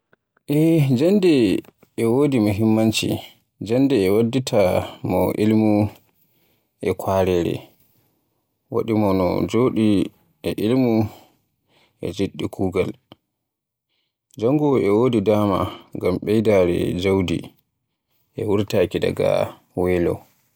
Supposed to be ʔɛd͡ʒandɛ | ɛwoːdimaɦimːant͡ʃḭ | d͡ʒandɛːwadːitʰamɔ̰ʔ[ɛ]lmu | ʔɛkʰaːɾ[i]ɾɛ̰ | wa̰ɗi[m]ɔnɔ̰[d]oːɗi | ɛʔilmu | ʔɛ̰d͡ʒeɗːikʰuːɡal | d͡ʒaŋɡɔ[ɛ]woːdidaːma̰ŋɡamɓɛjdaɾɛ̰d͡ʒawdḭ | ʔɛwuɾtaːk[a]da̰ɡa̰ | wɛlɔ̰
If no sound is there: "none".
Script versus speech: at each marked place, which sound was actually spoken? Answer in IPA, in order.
i, ɛ, m, d͡ʒ, ɛ, i

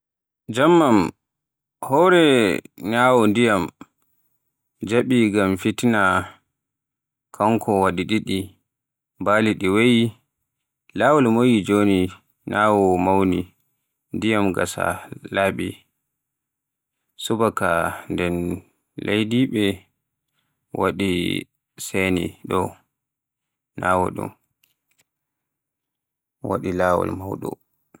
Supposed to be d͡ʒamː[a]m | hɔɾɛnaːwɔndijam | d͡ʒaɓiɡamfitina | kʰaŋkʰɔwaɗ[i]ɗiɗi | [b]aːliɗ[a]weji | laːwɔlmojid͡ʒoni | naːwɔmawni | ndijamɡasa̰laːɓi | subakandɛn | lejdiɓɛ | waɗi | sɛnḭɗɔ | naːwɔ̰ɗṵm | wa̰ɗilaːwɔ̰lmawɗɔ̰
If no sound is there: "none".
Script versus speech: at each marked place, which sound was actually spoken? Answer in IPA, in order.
a, i, b, i

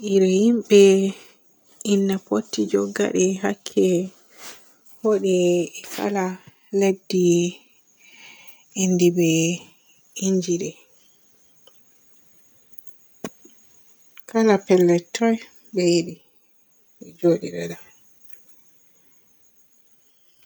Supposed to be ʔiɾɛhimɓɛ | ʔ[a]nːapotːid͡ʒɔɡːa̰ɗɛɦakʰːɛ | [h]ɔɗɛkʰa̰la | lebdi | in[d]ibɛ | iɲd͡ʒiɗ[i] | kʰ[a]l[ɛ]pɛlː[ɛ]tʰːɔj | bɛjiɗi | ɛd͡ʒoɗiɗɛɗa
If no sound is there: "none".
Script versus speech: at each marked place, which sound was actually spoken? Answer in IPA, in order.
i, h, d, ɛ, a, a, ɛ

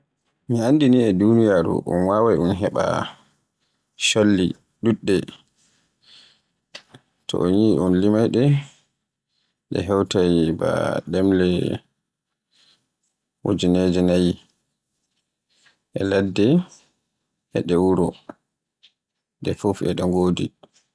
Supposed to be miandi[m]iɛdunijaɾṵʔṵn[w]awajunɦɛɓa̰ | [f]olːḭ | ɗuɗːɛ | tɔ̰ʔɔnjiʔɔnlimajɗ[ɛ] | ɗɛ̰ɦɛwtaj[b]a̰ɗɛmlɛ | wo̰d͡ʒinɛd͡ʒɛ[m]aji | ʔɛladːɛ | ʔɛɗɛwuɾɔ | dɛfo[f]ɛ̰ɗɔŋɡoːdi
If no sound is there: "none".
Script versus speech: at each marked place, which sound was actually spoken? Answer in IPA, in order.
n, w, ʃ, ɛ, b, n, f

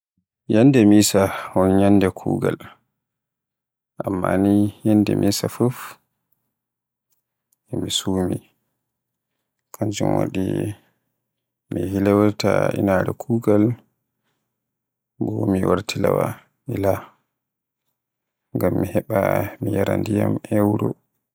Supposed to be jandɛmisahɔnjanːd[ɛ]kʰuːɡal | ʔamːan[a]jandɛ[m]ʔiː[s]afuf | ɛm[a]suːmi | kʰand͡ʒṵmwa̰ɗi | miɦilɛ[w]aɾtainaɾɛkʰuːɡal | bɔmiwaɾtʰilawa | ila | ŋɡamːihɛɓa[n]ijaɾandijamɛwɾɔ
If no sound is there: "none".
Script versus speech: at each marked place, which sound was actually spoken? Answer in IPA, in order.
ɛ, i, m, s, i, w, m

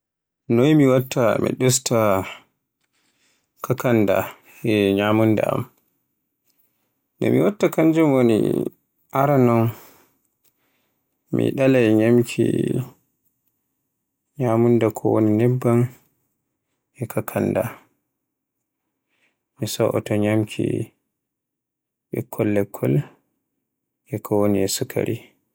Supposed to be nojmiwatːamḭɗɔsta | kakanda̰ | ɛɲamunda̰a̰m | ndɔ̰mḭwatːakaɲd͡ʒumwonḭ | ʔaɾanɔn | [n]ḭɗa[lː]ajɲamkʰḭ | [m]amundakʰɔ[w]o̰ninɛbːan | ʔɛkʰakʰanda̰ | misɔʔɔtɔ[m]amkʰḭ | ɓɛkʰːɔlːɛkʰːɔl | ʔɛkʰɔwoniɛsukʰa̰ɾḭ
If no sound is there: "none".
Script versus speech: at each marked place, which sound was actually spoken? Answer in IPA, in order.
m, l, ɲ, w, ɲ

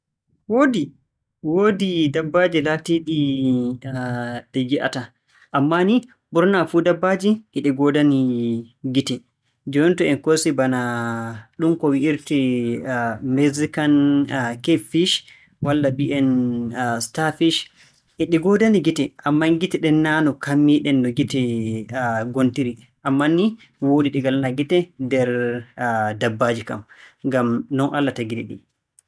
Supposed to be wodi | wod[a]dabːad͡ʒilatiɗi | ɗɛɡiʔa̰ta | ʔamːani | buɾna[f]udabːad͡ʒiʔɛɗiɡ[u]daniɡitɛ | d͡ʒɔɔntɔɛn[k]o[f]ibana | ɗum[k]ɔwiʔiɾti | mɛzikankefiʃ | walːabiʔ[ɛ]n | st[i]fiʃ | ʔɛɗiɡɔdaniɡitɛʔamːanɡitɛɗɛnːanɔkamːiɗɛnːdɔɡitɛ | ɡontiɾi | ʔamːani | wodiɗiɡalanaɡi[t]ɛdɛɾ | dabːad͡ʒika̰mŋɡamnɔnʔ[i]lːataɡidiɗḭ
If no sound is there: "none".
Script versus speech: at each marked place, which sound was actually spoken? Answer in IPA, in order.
i, f, ɔ, k, s, k, ɛ, a, t, a

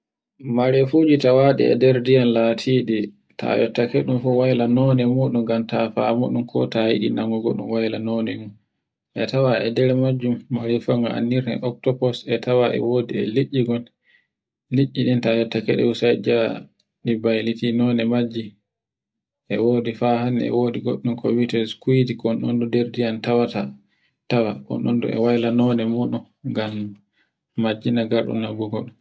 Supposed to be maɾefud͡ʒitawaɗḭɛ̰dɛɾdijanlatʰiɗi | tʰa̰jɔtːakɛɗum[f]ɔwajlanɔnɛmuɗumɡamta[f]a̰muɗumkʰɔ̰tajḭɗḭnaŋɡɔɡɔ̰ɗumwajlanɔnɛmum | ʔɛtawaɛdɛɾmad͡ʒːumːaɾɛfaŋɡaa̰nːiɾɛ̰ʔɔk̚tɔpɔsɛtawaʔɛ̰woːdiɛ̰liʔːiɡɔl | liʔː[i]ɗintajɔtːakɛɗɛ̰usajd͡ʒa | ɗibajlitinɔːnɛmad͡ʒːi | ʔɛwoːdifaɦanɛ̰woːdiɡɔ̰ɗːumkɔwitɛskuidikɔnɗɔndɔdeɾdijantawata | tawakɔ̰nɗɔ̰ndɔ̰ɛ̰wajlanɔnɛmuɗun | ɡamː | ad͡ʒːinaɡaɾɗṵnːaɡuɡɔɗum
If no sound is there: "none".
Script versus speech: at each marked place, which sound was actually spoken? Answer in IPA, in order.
f, f, i

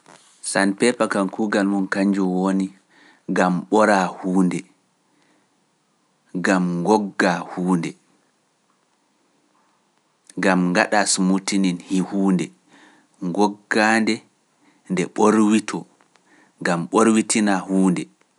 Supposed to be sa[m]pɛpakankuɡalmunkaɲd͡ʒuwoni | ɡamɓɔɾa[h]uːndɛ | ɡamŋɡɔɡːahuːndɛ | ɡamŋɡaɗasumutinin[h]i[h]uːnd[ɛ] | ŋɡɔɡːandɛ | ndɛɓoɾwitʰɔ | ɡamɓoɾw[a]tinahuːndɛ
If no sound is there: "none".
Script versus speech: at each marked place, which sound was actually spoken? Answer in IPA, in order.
n, h, h, h, ɛ, i

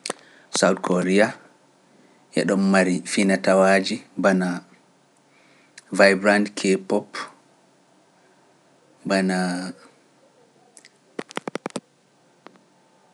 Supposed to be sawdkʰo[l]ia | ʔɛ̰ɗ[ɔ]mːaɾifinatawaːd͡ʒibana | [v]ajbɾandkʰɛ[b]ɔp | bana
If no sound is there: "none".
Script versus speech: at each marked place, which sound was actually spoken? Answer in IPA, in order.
ɾ, ɔ, v, p

